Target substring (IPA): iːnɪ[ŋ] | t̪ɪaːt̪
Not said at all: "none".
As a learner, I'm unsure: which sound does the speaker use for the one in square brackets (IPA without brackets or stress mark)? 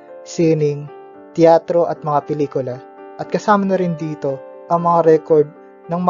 ŋ